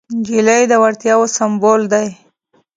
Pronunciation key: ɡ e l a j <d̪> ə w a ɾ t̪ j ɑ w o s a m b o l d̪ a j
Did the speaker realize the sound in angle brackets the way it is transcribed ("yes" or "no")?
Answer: yes